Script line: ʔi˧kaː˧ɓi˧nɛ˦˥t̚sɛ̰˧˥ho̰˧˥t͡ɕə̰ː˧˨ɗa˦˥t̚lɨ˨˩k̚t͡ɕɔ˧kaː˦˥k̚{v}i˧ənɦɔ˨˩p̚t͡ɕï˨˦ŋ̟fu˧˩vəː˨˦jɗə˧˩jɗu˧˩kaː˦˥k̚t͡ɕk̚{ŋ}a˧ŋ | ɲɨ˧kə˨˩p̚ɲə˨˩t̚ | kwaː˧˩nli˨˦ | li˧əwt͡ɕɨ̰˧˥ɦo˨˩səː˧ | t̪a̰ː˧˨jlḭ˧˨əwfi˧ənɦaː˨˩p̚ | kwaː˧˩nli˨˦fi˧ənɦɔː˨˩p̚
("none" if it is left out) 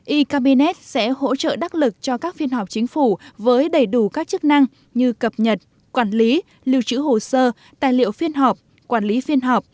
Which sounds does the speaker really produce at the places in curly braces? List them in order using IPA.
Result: f, n

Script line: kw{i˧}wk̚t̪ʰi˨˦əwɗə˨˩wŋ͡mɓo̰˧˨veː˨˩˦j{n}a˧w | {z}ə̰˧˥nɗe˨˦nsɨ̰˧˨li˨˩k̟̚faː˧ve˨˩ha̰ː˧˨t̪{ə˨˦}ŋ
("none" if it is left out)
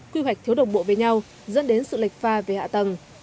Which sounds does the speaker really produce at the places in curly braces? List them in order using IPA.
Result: i˧, ɲ, z, ə˨˩

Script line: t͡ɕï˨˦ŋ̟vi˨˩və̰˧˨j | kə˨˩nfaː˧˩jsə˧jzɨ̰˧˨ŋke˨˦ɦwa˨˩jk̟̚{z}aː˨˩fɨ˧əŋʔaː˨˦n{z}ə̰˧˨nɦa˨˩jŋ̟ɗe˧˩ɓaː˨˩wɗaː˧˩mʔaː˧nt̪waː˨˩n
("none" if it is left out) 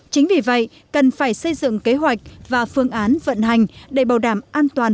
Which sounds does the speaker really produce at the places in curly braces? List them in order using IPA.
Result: v, v

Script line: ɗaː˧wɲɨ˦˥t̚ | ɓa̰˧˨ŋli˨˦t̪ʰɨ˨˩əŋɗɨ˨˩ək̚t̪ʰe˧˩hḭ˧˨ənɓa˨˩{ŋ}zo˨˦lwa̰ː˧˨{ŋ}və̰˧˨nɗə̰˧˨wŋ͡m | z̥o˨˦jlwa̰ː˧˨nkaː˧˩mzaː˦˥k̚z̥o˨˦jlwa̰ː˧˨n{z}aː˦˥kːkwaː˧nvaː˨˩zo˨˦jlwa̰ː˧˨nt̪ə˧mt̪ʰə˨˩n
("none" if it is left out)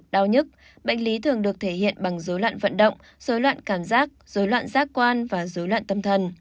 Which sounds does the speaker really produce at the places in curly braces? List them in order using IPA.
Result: ŋ, n, z

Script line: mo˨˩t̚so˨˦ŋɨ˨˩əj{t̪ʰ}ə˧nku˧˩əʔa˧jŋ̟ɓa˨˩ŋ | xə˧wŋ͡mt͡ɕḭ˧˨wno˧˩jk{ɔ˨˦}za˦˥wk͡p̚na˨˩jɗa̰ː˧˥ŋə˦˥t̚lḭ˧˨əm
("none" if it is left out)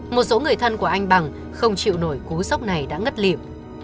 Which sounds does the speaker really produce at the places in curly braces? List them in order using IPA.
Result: t̪ʰ, u˨˦

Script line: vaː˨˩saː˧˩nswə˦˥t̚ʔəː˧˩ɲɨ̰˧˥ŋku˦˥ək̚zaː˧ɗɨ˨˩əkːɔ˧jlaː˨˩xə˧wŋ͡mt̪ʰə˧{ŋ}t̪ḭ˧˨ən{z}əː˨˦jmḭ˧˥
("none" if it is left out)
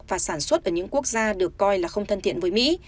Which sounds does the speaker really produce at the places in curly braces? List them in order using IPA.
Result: n, v

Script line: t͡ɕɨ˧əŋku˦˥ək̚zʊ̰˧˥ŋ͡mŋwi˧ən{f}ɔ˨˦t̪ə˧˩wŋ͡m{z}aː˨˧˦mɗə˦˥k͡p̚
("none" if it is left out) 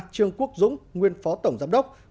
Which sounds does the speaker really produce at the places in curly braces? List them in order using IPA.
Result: f, z

